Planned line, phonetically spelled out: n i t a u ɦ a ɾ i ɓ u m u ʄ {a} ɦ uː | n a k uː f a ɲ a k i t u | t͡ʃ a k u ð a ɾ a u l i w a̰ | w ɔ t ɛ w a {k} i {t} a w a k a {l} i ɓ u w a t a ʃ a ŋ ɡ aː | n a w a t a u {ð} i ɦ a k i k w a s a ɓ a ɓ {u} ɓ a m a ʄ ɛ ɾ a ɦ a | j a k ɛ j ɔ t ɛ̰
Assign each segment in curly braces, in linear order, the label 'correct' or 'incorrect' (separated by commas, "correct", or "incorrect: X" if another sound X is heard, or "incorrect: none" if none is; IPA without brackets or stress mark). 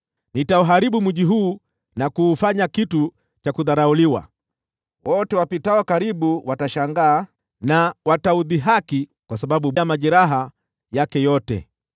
incorrect: i, incorrect: p, correct, incorrect: ɾ, correct, correct